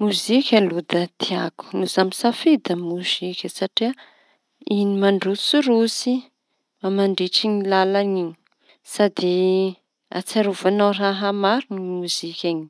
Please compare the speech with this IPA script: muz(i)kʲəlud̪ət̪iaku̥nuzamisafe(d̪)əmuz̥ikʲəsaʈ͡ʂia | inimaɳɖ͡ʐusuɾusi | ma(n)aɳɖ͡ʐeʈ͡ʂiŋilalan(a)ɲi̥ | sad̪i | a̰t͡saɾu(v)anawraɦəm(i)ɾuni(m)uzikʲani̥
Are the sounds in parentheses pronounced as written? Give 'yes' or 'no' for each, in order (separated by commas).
yes, yes, no, no, yes, no, yes